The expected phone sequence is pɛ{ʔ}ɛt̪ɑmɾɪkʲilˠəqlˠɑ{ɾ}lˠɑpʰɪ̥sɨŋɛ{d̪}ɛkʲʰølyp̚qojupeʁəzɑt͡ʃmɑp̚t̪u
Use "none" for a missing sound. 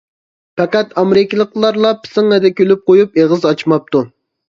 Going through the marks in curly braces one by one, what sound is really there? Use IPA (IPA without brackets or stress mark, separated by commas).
q, ɾ, d̪